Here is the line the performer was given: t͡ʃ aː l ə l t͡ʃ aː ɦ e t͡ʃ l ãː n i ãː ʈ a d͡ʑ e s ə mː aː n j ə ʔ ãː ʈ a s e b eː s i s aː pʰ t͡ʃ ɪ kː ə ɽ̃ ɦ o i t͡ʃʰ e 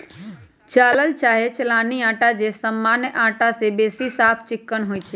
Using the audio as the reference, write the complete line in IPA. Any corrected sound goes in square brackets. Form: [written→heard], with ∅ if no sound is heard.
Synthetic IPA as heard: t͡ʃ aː l ə l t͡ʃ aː ɦ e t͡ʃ l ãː n i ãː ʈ a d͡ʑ e s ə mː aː n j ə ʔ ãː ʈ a s e b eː s i s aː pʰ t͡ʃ ɪ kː ə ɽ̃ ɦ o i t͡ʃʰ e